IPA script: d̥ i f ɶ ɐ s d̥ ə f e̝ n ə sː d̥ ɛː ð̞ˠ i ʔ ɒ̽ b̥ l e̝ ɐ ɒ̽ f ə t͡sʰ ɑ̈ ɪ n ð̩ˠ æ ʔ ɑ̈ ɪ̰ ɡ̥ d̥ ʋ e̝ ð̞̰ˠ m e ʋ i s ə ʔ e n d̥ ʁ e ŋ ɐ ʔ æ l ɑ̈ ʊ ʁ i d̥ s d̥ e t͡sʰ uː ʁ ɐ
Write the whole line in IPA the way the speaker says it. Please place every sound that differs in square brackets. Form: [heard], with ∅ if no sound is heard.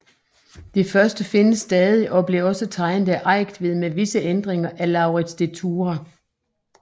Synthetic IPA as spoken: d̥ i f ɶ ɐ s d̥ ə f e̝ n ə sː d̥ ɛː ð̞ˠ i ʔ ɒ̽ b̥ l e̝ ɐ ɒ̽ [s] ə t͡sʰ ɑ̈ ɪ n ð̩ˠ æ ʔ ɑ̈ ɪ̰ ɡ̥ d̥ ʋ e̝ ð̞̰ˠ m e ʋ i s ə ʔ e n d̥ ʁ e ŋ ɐ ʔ æ l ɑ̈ ʊ ʁ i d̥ s d̥ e t͡sʰ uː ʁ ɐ